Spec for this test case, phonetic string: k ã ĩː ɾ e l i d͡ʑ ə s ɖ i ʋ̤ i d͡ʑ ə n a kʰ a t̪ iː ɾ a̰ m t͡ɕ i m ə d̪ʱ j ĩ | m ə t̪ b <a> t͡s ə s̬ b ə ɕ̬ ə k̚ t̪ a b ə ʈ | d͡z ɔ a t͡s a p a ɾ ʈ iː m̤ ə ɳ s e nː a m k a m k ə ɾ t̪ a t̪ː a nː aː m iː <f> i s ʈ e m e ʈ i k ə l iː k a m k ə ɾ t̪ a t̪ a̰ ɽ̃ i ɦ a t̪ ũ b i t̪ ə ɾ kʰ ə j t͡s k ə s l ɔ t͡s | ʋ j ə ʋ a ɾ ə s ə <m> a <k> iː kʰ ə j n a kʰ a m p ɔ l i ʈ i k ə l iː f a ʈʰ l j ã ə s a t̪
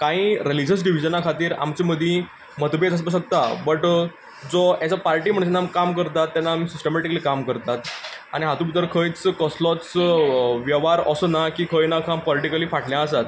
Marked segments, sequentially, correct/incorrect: incorrect: e, incorrect: s, incorrect: n, correct

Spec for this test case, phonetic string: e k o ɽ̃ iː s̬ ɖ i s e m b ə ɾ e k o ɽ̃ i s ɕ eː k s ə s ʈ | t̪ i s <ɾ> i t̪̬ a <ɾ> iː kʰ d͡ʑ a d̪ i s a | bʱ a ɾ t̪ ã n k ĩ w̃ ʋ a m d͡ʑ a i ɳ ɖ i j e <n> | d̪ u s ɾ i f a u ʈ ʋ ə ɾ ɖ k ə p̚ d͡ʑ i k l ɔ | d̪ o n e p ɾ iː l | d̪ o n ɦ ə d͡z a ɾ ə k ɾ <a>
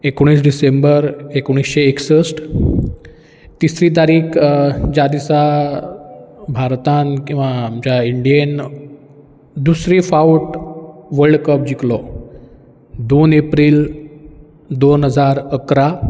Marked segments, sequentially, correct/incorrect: correct, correct, correct, correct

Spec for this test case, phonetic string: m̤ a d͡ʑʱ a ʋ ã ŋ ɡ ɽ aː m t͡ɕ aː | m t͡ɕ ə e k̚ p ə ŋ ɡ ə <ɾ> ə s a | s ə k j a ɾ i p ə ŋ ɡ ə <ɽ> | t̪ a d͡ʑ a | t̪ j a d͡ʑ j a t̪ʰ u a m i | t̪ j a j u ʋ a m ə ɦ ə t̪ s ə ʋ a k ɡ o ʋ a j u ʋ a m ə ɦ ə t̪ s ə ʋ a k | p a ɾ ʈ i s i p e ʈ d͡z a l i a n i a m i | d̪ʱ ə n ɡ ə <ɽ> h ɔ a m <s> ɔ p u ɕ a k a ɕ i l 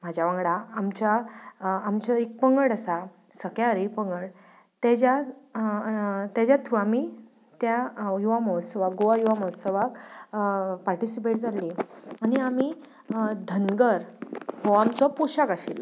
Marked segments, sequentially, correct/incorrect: incorrect: ɽ, correct, incorrect: ɾ, incorrect: t͡s

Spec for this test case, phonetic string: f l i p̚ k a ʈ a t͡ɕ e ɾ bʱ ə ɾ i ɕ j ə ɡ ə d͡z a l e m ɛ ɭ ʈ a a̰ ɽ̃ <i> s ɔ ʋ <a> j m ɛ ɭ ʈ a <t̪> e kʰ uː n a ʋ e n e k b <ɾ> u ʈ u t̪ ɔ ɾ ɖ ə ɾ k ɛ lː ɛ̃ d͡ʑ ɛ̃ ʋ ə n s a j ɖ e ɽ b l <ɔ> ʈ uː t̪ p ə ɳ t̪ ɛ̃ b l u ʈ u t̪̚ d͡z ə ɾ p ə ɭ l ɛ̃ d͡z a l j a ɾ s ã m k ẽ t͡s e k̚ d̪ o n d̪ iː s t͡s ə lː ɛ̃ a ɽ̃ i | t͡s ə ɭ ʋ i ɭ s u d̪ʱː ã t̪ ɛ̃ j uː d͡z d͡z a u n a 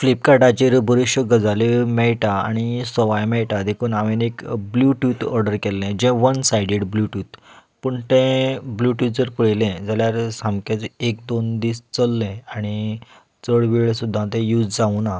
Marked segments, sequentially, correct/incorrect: correct, correct, incorrect: d̪, incorrect: l, incorrect: u

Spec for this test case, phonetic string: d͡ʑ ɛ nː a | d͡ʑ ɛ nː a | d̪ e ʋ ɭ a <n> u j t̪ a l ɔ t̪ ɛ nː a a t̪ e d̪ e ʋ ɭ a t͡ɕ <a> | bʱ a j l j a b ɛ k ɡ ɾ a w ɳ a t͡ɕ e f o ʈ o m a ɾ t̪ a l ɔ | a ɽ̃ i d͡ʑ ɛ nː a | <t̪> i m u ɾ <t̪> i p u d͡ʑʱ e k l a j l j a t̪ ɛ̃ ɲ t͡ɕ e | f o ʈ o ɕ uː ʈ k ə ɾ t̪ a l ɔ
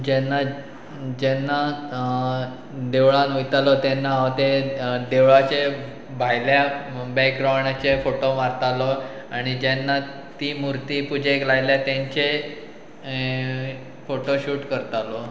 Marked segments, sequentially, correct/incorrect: correct, incorrect: e, correct, correct

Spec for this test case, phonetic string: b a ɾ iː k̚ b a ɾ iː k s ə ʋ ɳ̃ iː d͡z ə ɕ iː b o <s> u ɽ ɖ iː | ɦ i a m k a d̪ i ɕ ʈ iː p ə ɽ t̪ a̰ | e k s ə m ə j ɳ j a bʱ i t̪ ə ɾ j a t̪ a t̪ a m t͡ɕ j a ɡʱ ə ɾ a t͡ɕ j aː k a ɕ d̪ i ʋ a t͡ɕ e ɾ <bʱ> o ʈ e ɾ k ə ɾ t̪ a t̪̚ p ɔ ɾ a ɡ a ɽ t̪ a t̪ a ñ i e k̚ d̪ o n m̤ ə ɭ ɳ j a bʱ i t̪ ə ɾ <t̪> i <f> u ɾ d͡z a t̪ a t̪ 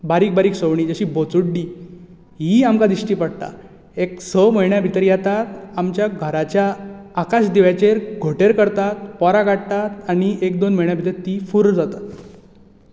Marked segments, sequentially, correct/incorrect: incorrect: t͡s, incorrect: ɡʱ, correct, correct

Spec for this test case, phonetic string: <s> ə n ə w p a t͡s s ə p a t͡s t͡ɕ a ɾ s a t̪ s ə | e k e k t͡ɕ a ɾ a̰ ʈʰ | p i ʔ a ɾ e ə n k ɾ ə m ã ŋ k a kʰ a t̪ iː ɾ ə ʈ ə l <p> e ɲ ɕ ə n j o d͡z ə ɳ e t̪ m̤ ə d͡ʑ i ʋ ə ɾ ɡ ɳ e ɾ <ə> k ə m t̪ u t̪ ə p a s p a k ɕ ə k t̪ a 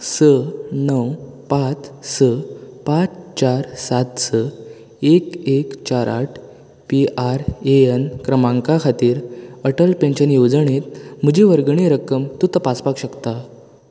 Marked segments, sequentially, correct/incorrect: correct, correct, correct

